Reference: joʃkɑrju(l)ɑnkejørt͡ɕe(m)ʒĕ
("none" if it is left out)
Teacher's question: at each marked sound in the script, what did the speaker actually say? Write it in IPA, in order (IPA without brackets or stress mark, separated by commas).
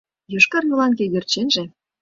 l, n